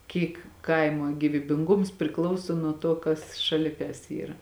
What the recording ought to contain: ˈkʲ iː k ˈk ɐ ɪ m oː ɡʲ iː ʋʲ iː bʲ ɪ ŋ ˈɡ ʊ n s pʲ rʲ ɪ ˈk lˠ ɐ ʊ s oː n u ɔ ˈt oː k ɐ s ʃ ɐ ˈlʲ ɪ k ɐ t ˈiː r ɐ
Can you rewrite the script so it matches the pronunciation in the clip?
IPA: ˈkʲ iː k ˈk ɐ ɪ m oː ɡʲ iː ʋʲ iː bʲ ɪ ŋ ˈɡ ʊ m s pʲ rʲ ɪ ˈk lˠ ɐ ʊ s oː n u ɔ ˈt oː k ɐ s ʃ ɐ ˈlʲ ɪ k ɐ s ˈiː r ɐ